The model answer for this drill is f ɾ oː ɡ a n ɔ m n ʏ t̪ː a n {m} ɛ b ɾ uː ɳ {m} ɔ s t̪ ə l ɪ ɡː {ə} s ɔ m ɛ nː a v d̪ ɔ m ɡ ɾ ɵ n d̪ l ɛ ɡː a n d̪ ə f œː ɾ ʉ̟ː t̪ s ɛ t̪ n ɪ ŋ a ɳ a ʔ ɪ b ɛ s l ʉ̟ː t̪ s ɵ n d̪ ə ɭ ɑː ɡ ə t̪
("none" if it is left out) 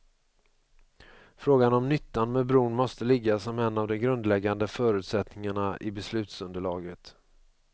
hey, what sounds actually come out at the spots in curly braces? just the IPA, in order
m, m, a

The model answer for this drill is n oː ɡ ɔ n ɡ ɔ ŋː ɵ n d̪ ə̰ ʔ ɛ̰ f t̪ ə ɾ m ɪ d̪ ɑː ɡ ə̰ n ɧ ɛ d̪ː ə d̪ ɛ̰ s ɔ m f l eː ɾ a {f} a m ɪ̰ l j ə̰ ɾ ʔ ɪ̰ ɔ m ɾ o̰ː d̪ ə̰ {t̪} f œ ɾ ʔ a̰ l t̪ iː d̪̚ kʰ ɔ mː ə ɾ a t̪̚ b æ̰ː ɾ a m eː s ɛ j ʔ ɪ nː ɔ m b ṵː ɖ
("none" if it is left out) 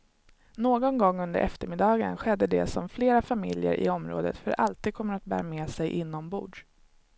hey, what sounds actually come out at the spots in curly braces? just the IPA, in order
f, t̪

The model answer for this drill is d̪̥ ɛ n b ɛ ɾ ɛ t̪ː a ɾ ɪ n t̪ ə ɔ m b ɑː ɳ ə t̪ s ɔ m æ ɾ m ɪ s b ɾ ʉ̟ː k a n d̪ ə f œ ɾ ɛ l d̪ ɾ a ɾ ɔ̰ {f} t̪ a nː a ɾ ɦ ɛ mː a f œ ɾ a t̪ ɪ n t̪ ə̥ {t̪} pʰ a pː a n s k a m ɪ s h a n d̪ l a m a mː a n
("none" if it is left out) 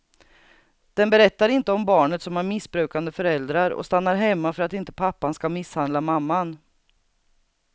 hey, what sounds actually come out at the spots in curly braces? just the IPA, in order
s, none

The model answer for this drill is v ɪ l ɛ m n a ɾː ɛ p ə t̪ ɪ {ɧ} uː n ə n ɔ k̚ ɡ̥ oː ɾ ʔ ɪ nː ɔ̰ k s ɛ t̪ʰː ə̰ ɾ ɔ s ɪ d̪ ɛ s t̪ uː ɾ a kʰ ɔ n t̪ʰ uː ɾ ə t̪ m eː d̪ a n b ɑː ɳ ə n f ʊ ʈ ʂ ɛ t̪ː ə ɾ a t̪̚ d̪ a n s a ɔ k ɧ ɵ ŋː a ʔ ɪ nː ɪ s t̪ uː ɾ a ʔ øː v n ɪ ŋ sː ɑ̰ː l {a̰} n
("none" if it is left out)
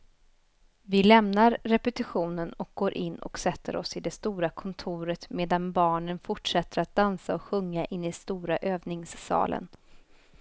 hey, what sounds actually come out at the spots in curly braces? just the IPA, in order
ɧ, ə̰

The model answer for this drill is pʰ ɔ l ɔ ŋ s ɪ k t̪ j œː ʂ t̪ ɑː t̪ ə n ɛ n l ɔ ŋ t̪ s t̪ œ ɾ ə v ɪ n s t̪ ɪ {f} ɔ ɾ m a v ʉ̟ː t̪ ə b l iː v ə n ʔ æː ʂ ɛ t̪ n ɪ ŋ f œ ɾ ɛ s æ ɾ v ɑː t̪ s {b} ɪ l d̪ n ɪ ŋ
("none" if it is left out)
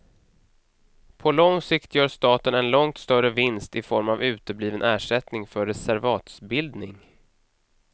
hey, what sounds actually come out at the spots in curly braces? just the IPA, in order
f, b

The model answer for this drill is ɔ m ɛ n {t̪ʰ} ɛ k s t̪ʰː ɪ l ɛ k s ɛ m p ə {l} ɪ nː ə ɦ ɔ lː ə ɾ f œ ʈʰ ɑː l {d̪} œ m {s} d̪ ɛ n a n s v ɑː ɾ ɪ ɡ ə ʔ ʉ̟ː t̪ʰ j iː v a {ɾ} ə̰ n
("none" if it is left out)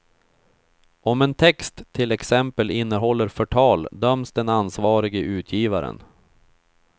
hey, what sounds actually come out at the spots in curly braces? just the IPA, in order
t̪ʰ, l, d̪, s, ɾ

